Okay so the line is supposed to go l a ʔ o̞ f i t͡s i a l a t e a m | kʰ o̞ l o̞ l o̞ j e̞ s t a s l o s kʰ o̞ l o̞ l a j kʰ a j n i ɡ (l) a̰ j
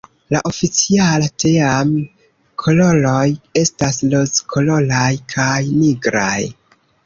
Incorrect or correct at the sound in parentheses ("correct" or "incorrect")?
incorrect